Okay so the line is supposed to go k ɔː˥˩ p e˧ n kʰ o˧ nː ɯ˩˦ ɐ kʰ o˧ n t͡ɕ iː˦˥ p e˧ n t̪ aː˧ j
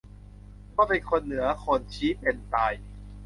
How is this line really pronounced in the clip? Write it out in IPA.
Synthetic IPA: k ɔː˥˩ p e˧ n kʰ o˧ nː ɯ˩˦ ɐ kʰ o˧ n t͡ɕʰ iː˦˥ p e˧ n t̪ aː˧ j